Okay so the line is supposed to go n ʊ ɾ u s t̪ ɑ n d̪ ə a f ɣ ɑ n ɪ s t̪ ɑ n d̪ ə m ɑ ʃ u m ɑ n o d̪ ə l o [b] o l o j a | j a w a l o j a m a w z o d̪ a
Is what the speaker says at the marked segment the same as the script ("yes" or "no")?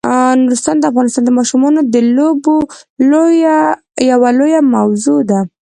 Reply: yes